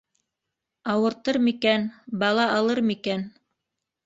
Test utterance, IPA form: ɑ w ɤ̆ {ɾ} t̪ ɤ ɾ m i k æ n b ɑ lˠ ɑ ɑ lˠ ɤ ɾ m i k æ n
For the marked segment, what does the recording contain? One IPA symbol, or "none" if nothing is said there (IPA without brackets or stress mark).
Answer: ɾ